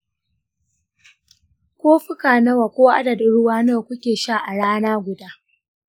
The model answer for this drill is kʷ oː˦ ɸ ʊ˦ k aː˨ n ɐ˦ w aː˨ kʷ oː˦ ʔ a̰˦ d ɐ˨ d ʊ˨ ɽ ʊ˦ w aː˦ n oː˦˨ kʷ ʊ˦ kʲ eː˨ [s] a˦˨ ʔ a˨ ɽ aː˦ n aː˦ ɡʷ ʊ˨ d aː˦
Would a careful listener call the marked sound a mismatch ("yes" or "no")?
yes